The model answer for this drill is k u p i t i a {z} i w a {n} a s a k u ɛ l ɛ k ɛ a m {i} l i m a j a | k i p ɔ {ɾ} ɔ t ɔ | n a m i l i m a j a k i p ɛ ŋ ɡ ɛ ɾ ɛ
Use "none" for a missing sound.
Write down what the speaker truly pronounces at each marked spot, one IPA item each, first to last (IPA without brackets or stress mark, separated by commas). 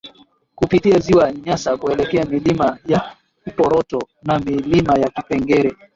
z, ɲ, i, ɾ